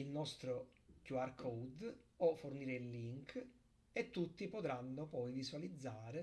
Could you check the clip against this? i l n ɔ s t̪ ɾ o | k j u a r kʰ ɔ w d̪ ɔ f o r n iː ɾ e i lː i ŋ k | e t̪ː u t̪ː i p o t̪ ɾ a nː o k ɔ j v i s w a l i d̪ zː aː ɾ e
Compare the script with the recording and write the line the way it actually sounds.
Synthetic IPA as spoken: i l n ɔ s t̪ ɾ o | k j u a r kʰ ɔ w d̪ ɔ f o r n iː ɾ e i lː i ŋ k | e t̪ː u t̪ː i p o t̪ ɾ a nː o p ɔ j v i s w a l i d̪ zː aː ɾ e